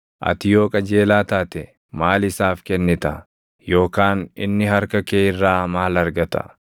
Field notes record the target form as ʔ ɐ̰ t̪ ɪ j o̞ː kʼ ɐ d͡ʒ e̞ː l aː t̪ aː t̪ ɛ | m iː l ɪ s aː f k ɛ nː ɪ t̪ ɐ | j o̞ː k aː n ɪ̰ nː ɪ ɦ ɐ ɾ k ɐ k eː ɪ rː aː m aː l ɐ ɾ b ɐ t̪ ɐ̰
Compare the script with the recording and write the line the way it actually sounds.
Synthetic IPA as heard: ʔ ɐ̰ t̪ ɪ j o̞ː kʼ ɐ d͡ʒ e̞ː l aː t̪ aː t̪ ɛ | m aː l ɪ s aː f k ɛ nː ɪ t̪ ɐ | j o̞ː k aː n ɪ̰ nː ɪ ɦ ɐ ɾ k ɐ k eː ɪ rː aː m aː l ɐ ɾ ɡ ɐ t̪ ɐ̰

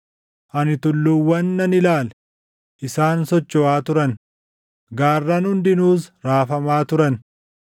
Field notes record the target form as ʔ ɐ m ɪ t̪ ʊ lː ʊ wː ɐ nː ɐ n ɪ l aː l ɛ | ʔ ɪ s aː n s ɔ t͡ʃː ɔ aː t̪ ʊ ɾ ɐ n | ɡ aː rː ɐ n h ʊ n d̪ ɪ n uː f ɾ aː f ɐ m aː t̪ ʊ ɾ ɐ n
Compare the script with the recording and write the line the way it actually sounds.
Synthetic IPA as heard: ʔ ɐ n ɪ t̪ ʊ lː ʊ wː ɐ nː ɐ n ɪ l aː l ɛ | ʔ ɪ s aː n s ɔ t͡ʃː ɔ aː t̪ ʊ ɾ ɐ n | ɡ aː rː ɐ n h ʊ n d̪ ɪ n uː s ɾ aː f ɐ m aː t̪ ʊ ɾ ɐ n

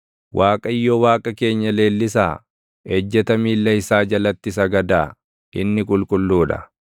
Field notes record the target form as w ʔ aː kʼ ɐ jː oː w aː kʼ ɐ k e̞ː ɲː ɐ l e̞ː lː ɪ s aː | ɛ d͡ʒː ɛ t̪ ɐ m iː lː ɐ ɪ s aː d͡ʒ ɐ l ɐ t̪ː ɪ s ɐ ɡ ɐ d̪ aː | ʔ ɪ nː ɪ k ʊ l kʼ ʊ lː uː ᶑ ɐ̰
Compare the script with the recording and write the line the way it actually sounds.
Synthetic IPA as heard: w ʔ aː kʼ ɐ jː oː w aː kʼ ɐ k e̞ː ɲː ɐ l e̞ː lː ɪ s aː | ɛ d͡ʒː ɛ t̪ ɐ m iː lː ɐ ɪ s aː d͡ʒ ɐ l ɐ t̪ː ɪ s ɐ ɡ ɐ d̪ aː | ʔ ɪ nː ɪ kʼ ʊ l kʼ ʊ lː uː ᶑ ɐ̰

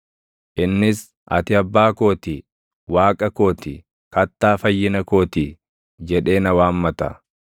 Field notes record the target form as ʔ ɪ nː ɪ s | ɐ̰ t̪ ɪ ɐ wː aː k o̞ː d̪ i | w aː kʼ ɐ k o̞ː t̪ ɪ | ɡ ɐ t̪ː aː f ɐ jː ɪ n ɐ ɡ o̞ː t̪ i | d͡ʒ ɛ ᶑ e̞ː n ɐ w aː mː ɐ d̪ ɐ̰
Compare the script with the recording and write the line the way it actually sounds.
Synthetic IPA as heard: ʔ ɪ nː ɪ s | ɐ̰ t̪ ɪ ɐ bː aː k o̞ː t̪ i | w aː kʼ ɐ k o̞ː t̪ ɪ | k ɐ t̪ː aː f ɐ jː ɪ n ɐ k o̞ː t̪ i | d͡ʒ ɛ ᶑ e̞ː n ɐ w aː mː ɐ t̪ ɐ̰

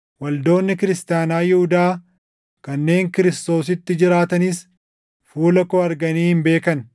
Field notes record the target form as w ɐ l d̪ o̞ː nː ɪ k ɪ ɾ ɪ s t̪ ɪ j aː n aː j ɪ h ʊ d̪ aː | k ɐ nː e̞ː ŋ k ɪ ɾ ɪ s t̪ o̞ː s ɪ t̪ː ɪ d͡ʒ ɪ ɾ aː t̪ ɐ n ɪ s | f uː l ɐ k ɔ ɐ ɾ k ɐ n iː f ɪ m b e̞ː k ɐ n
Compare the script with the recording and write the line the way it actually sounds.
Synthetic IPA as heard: w ɐ l d̪ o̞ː nː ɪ k ɪ ɾ ɪ s t̪ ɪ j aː n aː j ɪ h ʊ d̪ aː | k ɐ nː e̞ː ŋ k ɪ ɾ ɪ s t̪ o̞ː s ɪ t̪ː ɪ d͡ʒ ɪ ɾ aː t̪ ɐ n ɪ s | f uː l ɐ k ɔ ɐ ɾ ɡ ɐ n iː h ɪ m b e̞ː k ɐ n

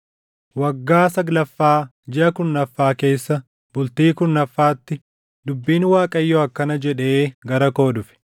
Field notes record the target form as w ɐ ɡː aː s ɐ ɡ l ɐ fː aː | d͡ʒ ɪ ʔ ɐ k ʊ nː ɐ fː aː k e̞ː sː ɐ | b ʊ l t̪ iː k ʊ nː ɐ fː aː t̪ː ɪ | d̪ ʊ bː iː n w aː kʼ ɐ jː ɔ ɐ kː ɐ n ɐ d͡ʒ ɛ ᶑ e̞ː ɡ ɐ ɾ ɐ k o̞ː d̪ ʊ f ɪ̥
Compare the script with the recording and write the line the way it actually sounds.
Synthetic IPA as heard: w ɐ ɡː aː s ɐ ɡ l ɐ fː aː | d͡ʒ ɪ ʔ ɐ k ʊ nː ɐ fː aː k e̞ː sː ɐ | b ʊ l t̪ iː k ʊ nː ɐ fː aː t̪ː ɪ | d̪ ʊ bː iː n w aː kʼ ɐ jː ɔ ɐ kː ɐ n ɐ d͡ʒ ɛ ᶑ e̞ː ɡ ɐ ɾ ɐ k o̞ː d̪ ʊ f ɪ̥

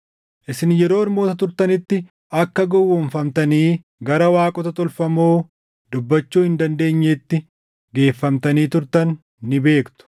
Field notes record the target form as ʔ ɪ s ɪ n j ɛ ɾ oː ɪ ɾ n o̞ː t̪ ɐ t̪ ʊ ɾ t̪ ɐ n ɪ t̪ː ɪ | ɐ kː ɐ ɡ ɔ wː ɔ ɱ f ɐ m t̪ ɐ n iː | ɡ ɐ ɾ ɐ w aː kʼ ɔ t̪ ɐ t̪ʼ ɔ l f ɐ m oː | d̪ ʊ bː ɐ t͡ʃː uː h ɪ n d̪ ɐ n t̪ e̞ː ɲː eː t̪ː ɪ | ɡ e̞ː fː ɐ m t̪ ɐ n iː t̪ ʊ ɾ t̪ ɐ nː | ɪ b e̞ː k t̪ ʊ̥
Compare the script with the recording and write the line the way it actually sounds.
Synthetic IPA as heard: ʔ ɪ s ɪ n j ɛ ɾ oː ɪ ɾ m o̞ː t̪ ɐ t̪ ʊ ɾ t̪ ɐ n ɪ t̪ː ɪ | ɐ kː ɐ ɡ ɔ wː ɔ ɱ f ɐ m t̪ ɐ n iː | ɡ ɐ ɾ ɐ w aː kʼ ɔ t̪ ɐ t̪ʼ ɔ l f ɐ m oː | d̪ ʊ bː ɐ t͡ʃː uː h ɪ n d̪ ɐ n d̪ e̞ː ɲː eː t̪ː ɪ | ɡ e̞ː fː ɐ m t̪ ɐ n iː t̪ ʊ ɾ t̪ ɐ nː | ɪ b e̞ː k t̪ ʊ̥

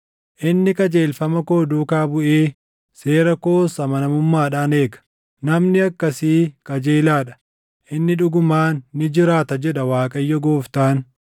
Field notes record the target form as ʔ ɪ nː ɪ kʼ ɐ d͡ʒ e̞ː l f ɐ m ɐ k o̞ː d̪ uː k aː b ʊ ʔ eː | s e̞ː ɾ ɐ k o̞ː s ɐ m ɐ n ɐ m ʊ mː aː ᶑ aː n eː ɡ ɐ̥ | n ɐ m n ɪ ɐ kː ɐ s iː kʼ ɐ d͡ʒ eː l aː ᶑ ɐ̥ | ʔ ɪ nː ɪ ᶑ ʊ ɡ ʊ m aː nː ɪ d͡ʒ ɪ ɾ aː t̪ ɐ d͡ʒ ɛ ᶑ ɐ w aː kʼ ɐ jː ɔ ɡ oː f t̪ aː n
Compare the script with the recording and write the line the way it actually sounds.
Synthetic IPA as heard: ʔ ɪ nː ɪ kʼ ɐ d͡ʒ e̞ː l f ɐ m ɐ k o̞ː d̪ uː k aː b ʊ ʔ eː | s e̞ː ɾ ɐ k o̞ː s ɐ m ɐ n ɐ m ʊ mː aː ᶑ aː n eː ɡ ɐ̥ | n ɐ m n ɪ ɐ kː ɐ s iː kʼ ɐ d͡ʒ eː l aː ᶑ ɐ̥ | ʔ ɪ nː ɪ ᶑ ʊ ɡ ʊ m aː nː ɪ d͡ʒ ɪ ɾ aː t̪ ɐ d͡ʒ ɛ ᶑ ɐ w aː kʼ ɐ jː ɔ ɡ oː f t̪ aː n

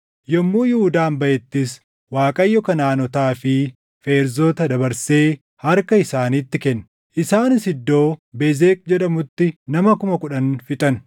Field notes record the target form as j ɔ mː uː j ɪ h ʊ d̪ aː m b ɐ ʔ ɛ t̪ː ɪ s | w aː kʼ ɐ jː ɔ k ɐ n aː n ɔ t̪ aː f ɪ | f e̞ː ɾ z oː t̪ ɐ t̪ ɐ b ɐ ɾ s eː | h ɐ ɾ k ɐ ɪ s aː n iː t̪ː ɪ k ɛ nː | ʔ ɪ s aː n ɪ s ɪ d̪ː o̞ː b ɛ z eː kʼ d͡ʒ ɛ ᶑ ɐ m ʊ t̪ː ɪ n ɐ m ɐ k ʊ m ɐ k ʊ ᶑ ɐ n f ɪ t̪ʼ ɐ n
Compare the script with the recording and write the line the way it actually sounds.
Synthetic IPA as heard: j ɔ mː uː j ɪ h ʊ d̪ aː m b ɐ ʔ ɛ t̪ː ɪ s | w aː kʼ ɐ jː ɔ k ɐ n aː n ɔ t̪ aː f ɪ | f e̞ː ɾ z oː t̪ ɐ d̪ ɐ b ɐ ɾ s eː | h ɐ ɾ k ɐ ɪ s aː n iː t̪ː ɪ k ɛ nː | ʔ ɪ s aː n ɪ s ɪ d̪ː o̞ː b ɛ z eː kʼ d͡ʒ ɛ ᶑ ɐ m ʊ t̪ː ɪ n ɐ m ɐ k ʊ m ɐ k ʊ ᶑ ɐ n f ɪ t̪ʼ ɐ n

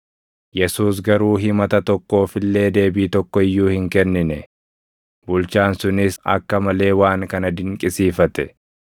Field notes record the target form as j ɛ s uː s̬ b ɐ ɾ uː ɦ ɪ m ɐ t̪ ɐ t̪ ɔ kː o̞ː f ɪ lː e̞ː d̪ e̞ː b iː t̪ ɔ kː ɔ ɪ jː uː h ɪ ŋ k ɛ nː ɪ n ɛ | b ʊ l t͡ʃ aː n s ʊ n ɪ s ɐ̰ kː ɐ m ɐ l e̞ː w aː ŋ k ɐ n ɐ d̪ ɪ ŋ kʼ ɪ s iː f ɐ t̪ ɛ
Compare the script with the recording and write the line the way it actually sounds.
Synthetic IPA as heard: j ɛ s uː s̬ ɡ ɐ ɾ uː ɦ ɪ m ɐ t̪ ɐ t̪ ɔ kː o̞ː f ɪ lː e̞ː d̪ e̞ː b iː t̪ ɔ kː ɔ ɪ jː uː h ɪ ŋ k ɛ nː ɪ n ɛ | b ʊ l t͡ʃ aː n s ʊ n ɪ s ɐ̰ kː ɐ m ɐ l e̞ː w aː ŋ k ɐ n ɐ d̪ ɪ ŋ kʼ ɪ s iː f ɐ t̪ ɛ

